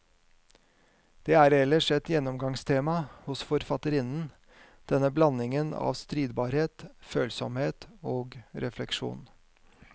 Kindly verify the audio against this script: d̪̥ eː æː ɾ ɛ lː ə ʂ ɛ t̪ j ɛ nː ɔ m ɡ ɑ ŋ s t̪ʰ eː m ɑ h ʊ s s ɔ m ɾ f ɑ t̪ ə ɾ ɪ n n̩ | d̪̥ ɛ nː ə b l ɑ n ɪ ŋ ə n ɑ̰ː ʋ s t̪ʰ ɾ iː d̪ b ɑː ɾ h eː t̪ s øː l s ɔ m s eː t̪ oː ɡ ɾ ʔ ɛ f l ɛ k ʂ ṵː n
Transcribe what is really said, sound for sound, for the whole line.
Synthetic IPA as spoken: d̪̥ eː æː ɾ ɛ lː ə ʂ ɛ t̪ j ɛ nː ɔ m ɡ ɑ ŋ s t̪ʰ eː m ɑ h ʊ s f ɔ ɾ f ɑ t̪ ə ɾ ɪ n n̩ | d̪̥ ɛ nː ə b l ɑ n ɪ ŋ ə n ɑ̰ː ʋ s t̪ ɾ iː d̪ b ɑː ɾ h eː t̪ f øː l s ɔ m h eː t̪ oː ɡ ɾ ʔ ɛ f l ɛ k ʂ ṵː n

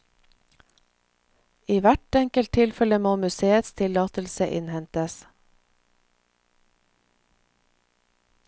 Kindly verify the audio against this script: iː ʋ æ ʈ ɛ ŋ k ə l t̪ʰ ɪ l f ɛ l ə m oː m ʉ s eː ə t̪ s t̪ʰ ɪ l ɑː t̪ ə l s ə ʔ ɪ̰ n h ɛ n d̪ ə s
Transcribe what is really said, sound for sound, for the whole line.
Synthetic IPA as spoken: iː ʋ æ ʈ ɛ ŋ k ə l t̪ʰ ɪ l f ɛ l ə m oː m ʉ s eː ə t̪ s t̪ʰ ɪ l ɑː t̪ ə l s ə ʔ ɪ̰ n h ɛ n t̪ ə s

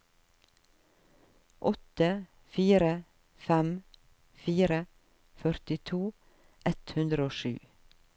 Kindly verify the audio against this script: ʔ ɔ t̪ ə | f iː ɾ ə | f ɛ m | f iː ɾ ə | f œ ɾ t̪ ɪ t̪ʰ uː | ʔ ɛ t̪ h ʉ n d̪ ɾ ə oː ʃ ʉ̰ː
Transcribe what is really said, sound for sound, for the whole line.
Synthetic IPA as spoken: ʔ ɔ t̪ ə | f iː ɾ ə | f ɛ m | f iː ɾ ə | f œ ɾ t̪ ɪ t̪ʰ uː | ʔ ɛ t̪ h ʉ n d̪ ɾ ə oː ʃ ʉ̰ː

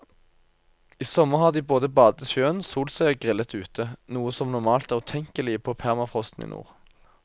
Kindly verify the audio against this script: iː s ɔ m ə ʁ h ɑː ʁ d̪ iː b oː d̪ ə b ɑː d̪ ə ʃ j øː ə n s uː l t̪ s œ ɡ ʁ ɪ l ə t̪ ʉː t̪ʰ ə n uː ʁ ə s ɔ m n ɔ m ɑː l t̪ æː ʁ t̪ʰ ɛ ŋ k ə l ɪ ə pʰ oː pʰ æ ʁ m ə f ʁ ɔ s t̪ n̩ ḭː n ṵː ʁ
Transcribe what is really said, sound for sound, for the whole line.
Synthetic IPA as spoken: iː s ɔ m ə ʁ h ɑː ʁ d̪ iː b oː d̪ ə b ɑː d̪ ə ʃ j øː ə n s uː l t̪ s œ ɡ ʁ ɪ l ə t̪ ʉː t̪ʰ ə n uː ə s ɔ m n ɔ m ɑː l t̪ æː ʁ t̪ʰ ɛ ŋ k ə l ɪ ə pʰ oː pʰ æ ʁ m ɑ f ʁ ɔ s t̪ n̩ ḭː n ṵː ʁ

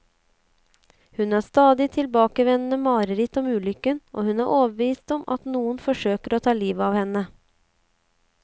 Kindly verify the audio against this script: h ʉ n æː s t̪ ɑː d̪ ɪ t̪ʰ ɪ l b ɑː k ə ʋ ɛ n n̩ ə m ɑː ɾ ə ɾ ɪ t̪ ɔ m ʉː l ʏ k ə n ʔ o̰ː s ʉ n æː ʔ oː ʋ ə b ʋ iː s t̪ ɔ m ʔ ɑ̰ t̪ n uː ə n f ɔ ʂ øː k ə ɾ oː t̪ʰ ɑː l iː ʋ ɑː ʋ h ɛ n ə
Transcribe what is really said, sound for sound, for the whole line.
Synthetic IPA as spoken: h ʉ n æː s t̪ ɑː d̪ ɪ t̪ʰ ɪ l b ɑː k ə ʋ ɛ n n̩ ə m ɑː ɾ ə ɾ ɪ t̪ ɔ m ʉː l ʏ k ə n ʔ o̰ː h ʉ n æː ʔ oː ʋ ə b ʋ iː s t̪ ɔ m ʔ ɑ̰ t̪ n uː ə n f ɔ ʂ øː k ə ɾ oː t̪ʰ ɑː l iː ʋ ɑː ʋ h ɛ n ə

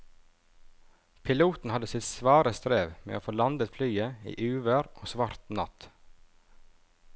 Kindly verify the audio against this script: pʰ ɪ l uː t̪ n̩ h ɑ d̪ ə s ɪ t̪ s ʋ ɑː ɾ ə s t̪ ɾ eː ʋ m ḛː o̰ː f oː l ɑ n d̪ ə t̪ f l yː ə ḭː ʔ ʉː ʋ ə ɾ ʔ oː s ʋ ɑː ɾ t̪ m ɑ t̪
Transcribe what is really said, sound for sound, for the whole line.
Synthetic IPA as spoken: pʰ ɪ l uː t̪ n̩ h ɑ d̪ ə s ɪ t̪ s ʋ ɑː ɾ ə s t̪ ɾ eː ʋ m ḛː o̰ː f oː l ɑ n d̪ ə t̪ f l yː ə ḭː ʔ ʉː ʋ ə ɾ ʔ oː s ʋ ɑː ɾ t̪ n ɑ t̪

